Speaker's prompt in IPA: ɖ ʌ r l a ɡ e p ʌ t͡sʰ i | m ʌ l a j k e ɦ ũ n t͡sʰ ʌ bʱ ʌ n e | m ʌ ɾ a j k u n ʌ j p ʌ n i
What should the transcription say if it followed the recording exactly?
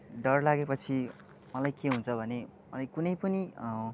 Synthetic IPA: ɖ ʌ r l a ɡ e p ʌ t͡sʰ i | m ʌ l a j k e ɦ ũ n t͡sʰ ʌ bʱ ʌ n e | m ʌ l a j k u n ʌ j p ʌ n i